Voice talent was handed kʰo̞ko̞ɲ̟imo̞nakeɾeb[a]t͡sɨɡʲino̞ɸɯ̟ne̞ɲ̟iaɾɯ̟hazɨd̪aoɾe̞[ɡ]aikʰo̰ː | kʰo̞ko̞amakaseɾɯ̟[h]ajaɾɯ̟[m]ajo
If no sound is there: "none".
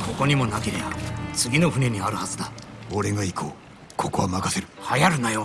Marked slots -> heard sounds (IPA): a, ɡ, h, n

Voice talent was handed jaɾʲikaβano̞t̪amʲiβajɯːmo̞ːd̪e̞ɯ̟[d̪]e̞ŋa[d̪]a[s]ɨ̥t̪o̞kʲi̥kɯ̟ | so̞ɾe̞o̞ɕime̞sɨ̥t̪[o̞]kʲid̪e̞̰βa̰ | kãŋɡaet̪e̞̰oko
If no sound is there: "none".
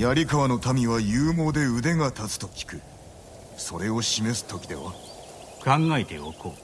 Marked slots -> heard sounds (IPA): d̪, t̪, t͡s, o̞

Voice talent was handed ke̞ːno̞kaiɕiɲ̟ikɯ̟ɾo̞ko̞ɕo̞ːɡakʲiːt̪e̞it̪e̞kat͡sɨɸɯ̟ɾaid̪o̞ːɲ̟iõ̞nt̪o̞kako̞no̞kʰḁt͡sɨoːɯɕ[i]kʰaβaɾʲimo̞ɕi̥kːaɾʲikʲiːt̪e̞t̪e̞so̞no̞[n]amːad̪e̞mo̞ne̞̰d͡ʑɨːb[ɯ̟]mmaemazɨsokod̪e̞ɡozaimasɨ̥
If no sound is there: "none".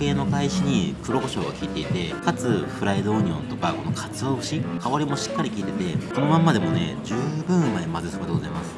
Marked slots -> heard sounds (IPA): i, m, ɯ̟̃

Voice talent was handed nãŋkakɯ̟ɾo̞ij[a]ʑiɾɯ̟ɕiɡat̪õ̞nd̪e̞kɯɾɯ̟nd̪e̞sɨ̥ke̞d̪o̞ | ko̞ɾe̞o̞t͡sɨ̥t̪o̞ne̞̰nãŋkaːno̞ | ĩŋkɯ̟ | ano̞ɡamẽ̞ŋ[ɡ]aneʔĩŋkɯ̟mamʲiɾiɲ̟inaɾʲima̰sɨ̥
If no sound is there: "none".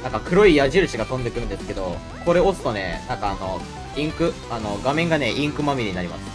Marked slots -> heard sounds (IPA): a, ɡ

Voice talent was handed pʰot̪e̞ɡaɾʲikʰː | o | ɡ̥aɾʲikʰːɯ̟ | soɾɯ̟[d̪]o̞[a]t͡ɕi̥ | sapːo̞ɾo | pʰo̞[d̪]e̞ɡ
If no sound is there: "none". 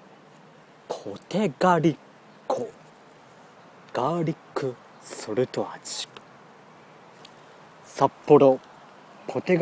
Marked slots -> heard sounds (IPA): t̪, a, t̪

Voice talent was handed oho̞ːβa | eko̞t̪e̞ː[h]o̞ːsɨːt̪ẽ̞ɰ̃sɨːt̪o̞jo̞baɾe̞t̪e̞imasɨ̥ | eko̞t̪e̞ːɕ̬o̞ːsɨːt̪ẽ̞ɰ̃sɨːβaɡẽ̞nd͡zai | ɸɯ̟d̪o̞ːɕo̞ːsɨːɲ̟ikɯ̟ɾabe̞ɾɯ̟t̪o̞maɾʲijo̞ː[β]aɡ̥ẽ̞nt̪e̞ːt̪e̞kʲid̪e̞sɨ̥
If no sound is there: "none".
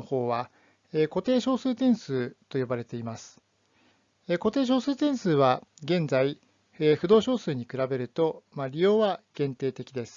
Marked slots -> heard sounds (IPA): ɕ, β

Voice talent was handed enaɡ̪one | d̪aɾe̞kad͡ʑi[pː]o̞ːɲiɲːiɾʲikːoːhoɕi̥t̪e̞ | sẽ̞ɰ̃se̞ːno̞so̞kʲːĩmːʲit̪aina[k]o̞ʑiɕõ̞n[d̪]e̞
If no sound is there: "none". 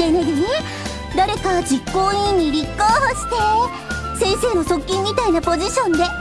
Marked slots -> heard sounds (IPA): kː, p, d̪

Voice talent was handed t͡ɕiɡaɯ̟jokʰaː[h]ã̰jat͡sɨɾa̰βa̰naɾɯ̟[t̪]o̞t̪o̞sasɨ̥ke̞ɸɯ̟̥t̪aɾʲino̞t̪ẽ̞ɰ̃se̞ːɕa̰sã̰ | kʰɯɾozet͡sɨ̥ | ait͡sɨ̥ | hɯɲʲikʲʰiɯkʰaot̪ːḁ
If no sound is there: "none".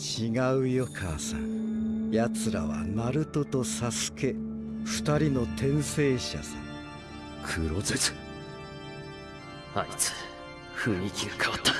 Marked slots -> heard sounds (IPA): s, t̪

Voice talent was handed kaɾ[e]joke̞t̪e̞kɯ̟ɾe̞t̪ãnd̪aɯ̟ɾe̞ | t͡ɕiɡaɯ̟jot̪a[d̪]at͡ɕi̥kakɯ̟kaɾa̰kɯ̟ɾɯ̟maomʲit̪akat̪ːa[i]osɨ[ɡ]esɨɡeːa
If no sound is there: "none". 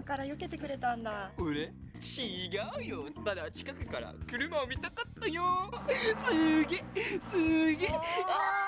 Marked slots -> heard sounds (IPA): a, d̪, j, ɡ

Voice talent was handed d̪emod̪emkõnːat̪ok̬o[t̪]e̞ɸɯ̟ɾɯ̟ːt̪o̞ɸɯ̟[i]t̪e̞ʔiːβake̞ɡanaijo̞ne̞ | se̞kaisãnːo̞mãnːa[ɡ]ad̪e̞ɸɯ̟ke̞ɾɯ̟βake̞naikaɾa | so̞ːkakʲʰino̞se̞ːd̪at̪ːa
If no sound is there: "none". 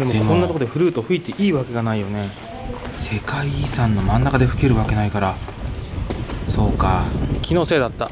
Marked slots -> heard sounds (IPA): d̪, i, k

